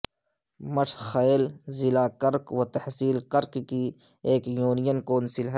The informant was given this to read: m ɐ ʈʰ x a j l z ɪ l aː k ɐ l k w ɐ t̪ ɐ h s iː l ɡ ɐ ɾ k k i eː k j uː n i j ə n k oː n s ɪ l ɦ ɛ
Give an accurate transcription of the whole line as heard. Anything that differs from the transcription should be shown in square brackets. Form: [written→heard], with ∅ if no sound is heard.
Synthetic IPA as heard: m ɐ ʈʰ x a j l z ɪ l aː k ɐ [l→ɾ] k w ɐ t̪ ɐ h s iː l [ɡ→k] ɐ ɾ k k i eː k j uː n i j ə n k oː n s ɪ l ɦ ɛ

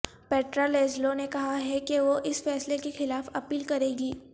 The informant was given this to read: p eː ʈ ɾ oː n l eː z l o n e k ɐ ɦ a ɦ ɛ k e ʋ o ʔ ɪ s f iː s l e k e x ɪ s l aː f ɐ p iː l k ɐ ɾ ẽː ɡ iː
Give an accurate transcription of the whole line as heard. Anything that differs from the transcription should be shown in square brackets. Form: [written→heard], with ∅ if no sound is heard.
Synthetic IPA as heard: p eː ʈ ɾ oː [n→∅] l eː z l o n e k ɐ ɦ a ɦ ɛ k e ʋ o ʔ ɪ s f [iː→ɛː] s l e k e x ɪ [s→∅] l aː f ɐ p iː l k ɐ ɾ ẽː ɡ iː

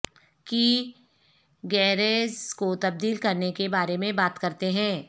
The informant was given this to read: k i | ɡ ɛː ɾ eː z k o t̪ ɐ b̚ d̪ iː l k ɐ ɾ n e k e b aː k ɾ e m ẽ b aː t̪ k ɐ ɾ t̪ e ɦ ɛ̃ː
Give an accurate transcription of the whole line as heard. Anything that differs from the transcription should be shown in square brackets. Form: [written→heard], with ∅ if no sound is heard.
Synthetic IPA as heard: k i | ɡ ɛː ɾ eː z k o t̪ ɐ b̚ d̪ iː l k ɐ ɾ n e k e b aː [k→∅] ɾ e m ẽ b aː t̪ k ɐ ɾ t̪ e ɦ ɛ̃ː

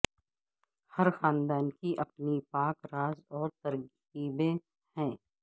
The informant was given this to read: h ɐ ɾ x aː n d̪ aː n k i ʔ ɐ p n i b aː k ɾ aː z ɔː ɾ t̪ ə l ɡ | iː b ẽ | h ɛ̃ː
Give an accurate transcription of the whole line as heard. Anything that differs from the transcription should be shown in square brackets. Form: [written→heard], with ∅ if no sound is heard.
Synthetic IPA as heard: h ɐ ɾ x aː n d̪ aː n k i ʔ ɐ p n i [b→p] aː k ɾ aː z ɔː ɾ t̪ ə [l→ɾ] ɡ | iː b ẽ | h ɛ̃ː

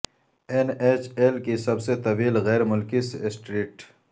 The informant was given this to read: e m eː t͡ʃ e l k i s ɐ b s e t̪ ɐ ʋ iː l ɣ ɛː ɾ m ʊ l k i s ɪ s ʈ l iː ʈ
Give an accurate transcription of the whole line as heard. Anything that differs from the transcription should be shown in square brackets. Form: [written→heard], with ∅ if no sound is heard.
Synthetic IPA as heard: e [m→n] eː t͡ʃ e l k i s ɐ b s e t̪ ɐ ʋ iː l ɣ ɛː ɾ m ʊ l k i s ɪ s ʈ [l→ɾ] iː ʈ

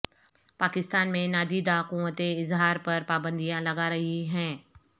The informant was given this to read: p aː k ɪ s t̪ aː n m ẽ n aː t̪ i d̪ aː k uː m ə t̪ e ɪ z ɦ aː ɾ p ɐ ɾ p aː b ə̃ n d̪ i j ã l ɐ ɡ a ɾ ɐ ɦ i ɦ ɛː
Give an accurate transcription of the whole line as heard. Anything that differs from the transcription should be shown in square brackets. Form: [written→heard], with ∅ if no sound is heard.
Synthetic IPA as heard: p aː k ɪ s t̪ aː n m ẽ n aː [t̪→d̪] i d̪ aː k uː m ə t̪ e ɪ z ɦ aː ɾ p ɐ ɾ p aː b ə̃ n d̪ i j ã l ɐ ɡ a ɾ ɐ ɦ i ɦ [ɛː→ɛ̃ː]

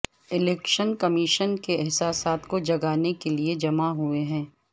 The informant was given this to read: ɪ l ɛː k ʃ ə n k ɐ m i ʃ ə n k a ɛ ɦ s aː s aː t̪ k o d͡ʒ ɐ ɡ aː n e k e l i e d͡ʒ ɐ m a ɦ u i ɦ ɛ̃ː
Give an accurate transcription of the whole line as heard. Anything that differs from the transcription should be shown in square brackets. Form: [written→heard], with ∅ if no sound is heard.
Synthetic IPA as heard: ɪ l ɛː k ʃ ə n k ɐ m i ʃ ə n k [a→e] ɛ ɦ s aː s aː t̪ k o d͡ʒ ɐ ɡ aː n e k e l i e d͡ʒ ɐ m a ɦ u [i→e] ɦ ɛ̃ː

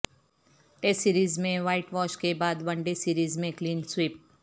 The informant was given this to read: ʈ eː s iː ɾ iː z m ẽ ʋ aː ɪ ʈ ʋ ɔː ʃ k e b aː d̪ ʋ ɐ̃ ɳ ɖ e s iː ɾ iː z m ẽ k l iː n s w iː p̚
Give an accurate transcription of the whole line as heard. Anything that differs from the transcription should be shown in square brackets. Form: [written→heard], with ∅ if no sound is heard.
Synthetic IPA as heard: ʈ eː s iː ɾ iː z m ẽ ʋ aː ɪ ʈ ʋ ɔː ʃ k e b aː d̪ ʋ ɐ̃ ɳ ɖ e s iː ɾ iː z m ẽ k l iː n s w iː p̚

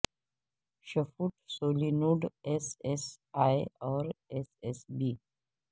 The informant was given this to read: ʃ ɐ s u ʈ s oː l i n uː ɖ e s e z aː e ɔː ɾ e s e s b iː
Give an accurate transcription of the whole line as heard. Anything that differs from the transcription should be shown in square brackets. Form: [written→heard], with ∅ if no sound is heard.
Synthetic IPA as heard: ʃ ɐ [s→f] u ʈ s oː l i n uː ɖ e s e [z→s] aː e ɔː ɾ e s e s b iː

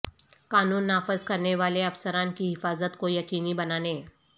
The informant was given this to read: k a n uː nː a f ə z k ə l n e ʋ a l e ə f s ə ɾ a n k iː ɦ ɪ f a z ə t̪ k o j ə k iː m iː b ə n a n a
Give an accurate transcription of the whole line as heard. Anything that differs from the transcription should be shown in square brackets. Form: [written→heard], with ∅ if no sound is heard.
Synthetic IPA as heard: k a n uː nː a f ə z k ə [l→ɾ] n e ʋ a l e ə f s ə ɾ a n k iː ɦ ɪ f a z ə t̪ k o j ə k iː [m→n] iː b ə n a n [a→e]

